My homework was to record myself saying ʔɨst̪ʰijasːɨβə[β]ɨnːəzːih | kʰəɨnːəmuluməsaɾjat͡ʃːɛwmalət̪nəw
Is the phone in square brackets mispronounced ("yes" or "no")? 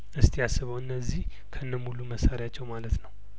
yes